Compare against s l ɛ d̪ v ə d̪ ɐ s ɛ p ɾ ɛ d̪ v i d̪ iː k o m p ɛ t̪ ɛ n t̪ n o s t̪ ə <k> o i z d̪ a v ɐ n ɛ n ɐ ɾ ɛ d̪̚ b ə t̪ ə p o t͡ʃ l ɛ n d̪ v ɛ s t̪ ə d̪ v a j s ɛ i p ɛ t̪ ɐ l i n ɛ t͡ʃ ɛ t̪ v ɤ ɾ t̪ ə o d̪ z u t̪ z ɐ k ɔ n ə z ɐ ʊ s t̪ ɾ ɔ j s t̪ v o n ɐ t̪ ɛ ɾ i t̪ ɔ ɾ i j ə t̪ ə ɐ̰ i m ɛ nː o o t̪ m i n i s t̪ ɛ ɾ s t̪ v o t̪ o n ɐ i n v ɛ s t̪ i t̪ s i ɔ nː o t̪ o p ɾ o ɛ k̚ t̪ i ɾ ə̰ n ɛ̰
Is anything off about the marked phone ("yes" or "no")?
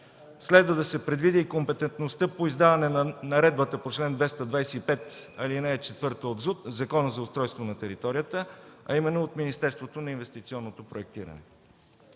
yes